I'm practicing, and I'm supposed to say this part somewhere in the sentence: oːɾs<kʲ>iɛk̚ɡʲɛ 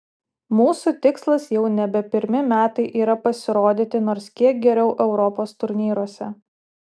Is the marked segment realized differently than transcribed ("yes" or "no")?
no